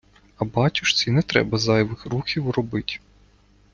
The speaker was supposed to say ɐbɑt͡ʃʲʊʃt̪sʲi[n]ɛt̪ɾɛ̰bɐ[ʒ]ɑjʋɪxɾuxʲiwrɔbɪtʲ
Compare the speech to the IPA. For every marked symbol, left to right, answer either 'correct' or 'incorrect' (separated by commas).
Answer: correct, incorrect